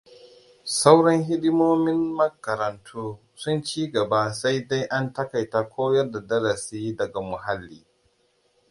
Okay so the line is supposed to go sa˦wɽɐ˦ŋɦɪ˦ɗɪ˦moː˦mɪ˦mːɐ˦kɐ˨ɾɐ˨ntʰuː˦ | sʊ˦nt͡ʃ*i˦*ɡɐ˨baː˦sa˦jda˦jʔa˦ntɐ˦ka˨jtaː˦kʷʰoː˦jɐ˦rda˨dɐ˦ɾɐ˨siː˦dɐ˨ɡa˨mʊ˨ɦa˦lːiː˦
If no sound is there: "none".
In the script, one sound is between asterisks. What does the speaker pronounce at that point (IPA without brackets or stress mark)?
iː˦